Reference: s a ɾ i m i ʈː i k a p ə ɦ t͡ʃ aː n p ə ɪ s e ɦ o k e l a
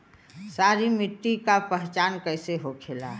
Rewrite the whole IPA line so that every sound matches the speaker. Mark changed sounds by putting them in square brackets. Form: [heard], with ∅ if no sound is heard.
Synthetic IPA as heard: s a ɾ i m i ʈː i k a p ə ɦ t͡ʃ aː n [k] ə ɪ s e ɦ o [kʰ] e l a